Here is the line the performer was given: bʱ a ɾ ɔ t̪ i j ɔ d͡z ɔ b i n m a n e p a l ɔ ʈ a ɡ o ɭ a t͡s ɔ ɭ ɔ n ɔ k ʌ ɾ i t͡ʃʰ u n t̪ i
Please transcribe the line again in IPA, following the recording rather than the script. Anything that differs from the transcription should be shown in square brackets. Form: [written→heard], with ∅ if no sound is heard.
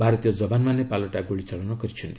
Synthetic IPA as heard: bʱ a ɾ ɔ t̪ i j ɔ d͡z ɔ b [i→a] n m a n e p a l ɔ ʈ a ɡ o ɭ [a→i] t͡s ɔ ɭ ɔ n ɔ k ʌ ɾ i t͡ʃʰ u n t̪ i